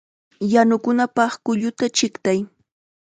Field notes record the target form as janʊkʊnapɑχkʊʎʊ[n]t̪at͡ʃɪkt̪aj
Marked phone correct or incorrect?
incorrect: none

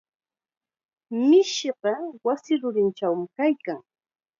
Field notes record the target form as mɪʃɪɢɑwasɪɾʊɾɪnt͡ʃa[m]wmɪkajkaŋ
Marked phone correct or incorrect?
incorrect: none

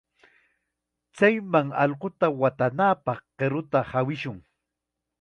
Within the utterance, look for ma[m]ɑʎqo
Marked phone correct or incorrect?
incorrect: ŋ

